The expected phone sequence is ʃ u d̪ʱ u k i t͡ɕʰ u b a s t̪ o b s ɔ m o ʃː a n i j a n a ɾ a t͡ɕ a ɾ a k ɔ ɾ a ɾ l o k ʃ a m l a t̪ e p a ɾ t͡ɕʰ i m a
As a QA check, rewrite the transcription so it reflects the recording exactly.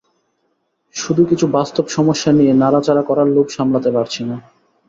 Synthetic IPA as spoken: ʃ u d̪ʱ u k i t͡ɕʰ u b a s t̪ o b ʃ ɔ m o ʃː a n i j e n a ɾ a t͡ɕ a ɾ a k ɔ ɾ a ɾ l o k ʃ a m l a t̪ e p a ɾ t͡ɕʰ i n a